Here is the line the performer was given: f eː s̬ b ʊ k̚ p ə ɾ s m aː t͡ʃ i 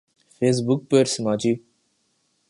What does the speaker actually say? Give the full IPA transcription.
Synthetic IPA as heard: f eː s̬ b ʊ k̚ p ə ɾ s m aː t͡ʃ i